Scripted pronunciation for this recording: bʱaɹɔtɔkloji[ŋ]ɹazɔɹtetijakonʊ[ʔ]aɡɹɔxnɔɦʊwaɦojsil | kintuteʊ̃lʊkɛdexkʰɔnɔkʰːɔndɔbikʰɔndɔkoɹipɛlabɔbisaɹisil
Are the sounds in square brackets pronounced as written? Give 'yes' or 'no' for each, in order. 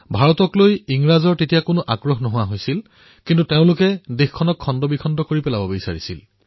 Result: yes, yes

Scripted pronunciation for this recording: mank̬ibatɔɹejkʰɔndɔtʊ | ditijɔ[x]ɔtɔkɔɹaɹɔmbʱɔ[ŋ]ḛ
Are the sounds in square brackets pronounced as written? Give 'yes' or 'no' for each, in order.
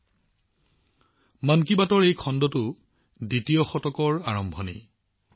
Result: yes, no

